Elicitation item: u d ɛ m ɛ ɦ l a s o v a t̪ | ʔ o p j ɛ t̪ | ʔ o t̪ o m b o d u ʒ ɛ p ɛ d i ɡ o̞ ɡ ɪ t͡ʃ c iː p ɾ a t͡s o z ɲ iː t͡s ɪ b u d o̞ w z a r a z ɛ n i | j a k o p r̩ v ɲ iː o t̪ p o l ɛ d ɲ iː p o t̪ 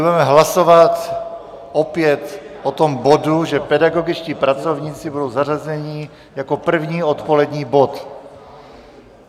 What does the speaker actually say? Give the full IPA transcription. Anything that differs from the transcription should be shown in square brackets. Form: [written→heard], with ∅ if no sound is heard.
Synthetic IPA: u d ɛ m ɛ ɦ l a s o v a t̪ | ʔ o p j ɛ t̪ | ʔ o t̪ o m b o d u ʒ ɛ p ɛ d [i→a] ɡ o̞ ɡ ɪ t͡ʃ c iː p ɾ a t͡s o [z→v] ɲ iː t͡s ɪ b u d o̞ w z a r a z ɛ [n→ɲ] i | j a k o p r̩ v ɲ iː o t̪ p o l ɛ d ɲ iː [p→b] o t̪